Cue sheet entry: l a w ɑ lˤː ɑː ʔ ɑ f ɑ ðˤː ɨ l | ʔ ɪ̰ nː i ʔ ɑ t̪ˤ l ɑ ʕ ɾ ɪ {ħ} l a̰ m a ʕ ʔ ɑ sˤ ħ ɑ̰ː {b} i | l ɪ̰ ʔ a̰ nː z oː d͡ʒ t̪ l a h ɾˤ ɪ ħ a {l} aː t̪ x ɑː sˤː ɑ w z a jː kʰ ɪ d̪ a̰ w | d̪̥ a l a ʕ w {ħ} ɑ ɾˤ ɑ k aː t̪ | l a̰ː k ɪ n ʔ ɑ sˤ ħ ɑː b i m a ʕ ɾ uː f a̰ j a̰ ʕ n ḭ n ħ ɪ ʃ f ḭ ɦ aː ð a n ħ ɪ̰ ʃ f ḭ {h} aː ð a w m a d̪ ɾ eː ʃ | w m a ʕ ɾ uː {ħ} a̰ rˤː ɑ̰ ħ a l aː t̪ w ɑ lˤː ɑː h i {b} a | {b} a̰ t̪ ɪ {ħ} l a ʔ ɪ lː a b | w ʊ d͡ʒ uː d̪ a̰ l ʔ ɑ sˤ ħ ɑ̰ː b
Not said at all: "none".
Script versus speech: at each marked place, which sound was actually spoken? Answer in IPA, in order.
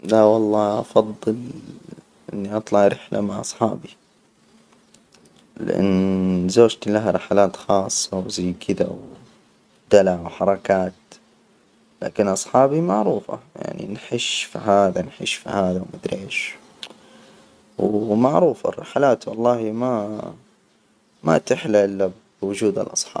ħ, b, l, ħ, h, f, m, m, ħ

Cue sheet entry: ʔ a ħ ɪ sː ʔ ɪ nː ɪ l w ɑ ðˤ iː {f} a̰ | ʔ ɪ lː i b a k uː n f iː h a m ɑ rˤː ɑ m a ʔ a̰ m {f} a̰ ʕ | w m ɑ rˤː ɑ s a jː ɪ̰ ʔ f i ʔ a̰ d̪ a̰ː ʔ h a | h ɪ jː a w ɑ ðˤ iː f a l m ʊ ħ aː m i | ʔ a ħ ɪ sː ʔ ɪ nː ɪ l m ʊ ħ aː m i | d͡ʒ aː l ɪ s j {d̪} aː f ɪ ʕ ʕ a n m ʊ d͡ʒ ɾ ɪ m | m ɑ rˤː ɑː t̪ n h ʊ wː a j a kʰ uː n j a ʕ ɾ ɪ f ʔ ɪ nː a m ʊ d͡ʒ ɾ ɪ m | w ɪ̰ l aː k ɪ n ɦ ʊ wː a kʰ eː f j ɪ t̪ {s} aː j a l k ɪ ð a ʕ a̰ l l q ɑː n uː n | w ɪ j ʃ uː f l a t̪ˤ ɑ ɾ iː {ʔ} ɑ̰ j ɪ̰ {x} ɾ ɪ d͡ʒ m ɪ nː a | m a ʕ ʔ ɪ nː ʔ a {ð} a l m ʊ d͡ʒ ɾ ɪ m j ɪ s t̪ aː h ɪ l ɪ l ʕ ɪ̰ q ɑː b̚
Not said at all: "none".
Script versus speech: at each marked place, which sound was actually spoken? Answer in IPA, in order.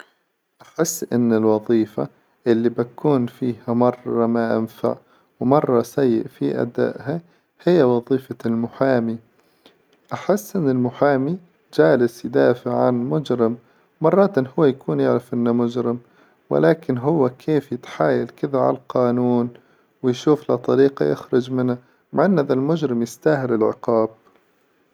f, f, d̪, ħ, q, x, ð

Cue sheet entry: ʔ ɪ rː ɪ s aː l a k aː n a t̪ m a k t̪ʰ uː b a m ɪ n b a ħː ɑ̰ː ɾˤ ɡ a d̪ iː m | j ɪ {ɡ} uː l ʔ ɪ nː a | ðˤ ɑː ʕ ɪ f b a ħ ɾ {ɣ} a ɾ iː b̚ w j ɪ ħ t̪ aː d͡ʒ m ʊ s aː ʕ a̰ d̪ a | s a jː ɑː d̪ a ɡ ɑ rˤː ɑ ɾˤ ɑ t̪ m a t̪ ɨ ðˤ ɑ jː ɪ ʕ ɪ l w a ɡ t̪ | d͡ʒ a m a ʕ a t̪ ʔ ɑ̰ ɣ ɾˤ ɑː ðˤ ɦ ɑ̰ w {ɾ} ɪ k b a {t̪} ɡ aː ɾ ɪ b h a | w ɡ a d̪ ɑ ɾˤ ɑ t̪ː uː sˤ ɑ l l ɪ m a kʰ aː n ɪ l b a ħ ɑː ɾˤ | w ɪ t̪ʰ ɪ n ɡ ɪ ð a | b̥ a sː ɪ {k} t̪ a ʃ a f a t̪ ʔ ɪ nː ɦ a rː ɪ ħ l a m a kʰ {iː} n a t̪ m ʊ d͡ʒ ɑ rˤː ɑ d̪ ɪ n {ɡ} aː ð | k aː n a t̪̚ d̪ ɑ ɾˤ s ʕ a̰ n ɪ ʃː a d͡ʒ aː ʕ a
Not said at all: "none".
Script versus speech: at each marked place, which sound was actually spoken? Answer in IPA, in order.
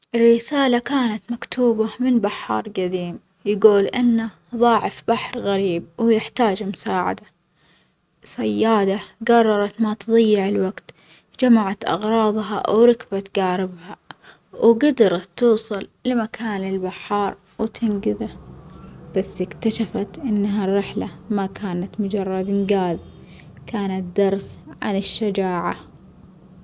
ɡ, ɣ, ɾ, t̪, k, aː, ɡ

